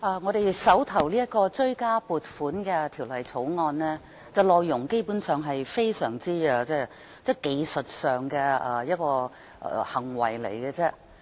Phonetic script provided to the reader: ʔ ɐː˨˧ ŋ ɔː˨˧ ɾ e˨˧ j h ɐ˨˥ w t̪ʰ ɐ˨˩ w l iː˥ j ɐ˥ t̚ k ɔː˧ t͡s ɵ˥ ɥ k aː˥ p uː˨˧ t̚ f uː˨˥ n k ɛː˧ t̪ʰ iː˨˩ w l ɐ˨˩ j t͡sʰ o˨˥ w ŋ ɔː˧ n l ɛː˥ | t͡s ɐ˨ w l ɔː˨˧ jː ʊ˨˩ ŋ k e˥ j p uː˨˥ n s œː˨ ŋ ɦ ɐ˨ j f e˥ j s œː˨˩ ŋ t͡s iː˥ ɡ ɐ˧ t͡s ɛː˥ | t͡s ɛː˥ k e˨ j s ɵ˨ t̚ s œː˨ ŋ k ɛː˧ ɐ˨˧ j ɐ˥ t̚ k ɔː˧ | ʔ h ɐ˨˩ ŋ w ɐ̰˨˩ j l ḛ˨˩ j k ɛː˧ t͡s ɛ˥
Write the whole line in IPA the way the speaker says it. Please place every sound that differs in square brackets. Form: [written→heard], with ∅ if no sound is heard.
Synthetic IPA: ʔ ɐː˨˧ ŋ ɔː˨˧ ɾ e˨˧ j [h→s] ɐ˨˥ w t̪ʰ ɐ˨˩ w l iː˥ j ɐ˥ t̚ k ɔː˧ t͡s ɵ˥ ɥ k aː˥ p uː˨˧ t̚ f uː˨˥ n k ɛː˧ t̪ʰ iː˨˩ w l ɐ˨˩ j t͡sʰ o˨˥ w ŋ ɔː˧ n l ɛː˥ | t͡s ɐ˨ w l ɔː˨˧ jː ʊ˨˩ ŋ k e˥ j p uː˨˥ n s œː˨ ŋ ɦ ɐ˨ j f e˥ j s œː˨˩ ŋ t͡s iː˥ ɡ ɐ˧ t͡s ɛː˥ | t͡s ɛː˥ k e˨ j s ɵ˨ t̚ s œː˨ ŋ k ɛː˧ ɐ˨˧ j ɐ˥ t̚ k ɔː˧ | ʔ h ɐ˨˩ ŋ w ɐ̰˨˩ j l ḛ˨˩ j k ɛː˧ t͡s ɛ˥

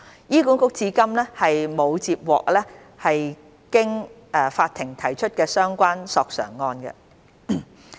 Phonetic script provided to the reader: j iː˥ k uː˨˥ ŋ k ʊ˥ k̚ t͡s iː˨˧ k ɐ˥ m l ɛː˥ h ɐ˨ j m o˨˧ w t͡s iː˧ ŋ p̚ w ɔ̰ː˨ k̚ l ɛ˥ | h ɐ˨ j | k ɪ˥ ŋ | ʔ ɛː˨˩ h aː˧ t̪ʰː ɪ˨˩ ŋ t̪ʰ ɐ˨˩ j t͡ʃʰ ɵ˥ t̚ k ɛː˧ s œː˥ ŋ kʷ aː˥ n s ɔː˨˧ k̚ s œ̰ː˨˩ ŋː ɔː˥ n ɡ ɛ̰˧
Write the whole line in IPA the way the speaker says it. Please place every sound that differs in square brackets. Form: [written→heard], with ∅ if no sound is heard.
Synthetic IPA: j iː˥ k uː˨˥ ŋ k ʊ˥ k̚ t͡s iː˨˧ k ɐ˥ m l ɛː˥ h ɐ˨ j m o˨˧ w t͡s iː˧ [ŋ→∅] p̚ w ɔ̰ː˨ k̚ l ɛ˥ | h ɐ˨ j | k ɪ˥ ŋ | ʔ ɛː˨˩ [h→f] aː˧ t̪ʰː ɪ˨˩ ŋ t̪ʰ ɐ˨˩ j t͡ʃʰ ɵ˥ t̚ k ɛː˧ s œː˥ ŋ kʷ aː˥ n s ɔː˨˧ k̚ s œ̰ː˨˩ ŋː [ɔː˥→ɔː˧] n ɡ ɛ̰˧

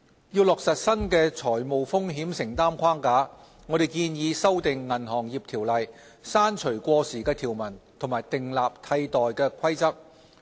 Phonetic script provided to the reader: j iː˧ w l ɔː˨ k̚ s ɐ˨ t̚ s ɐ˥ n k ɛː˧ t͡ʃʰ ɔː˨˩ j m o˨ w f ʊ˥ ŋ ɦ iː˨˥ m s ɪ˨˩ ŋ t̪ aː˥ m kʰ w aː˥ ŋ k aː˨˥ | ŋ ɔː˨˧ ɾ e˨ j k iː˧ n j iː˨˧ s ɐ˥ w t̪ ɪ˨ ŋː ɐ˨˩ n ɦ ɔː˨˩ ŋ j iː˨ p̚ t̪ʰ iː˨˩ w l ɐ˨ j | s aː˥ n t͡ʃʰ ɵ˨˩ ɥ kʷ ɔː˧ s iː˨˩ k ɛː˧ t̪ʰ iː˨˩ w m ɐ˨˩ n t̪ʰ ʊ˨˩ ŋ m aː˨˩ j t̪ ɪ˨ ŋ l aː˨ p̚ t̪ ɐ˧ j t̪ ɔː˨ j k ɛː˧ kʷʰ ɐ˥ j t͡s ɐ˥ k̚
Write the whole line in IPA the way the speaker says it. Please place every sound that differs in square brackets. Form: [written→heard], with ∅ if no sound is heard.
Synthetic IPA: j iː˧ w l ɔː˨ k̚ s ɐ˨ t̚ s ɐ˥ n k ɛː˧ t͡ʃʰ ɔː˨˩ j m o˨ w f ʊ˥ ŋ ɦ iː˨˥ m s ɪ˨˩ ŋ t̪ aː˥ m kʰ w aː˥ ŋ k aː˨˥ | ŋ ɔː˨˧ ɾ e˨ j k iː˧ n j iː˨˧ s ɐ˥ w t̪ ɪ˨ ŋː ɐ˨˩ n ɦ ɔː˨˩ ŋ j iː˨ p̚ t̪ʰ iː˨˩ w l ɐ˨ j | s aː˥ n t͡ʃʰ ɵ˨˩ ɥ kʷ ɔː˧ s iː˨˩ k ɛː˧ t̪ʰ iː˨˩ w m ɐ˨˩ n t̪ʰ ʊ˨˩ ŋ m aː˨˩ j t̪ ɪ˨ ŋ l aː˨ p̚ [t̪→t̪ʰ] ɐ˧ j t̪ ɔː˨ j k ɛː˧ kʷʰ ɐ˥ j t͡s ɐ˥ k̚

